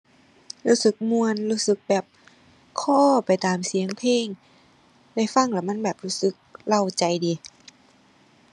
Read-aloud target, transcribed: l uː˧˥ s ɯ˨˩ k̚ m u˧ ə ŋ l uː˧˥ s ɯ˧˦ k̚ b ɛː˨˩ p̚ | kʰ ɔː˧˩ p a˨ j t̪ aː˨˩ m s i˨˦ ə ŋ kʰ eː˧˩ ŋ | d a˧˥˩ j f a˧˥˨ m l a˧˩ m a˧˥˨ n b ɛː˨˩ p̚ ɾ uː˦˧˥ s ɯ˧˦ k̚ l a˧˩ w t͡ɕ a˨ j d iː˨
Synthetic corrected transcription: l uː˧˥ s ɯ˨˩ k̚ m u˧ ə n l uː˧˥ s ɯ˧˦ k̚ b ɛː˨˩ p̚ | kʰ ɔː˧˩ p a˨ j t̪ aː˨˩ m s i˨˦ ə ŋ pʰ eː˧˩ ŋ | d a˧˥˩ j f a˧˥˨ ŋ l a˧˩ m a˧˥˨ n b ɛː˨˩ p̚ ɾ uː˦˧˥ s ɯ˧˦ k̚ l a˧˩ w t͡ɕ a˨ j d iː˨